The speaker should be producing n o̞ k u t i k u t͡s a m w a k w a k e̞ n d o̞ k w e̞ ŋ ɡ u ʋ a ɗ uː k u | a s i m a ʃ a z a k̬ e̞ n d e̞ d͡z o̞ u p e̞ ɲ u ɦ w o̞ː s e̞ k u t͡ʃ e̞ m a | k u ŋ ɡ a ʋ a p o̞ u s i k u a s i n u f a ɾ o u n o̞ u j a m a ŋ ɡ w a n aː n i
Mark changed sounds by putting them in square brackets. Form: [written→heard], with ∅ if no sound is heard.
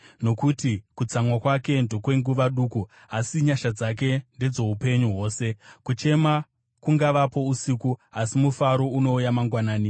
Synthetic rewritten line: n o̞ k u t i k u t͡s a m w a k w a k e̞ n d o̞ k w e̞ ŋ ɡ u ʋ a ɗ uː k u | a s i [m→ɲ] a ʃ a [z→d͡z] a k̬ e̞ n d e̞ d͡z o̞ u p e̞ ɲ u ɦ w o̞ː s e̞ k u t͡ʃ e̞ m a | k u ŋ ɡ a ʋ a p o̞ u s i k u a s i [n→m] u f a ɾ o u n o̞ u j a m a ŋ ɡ w a n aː n i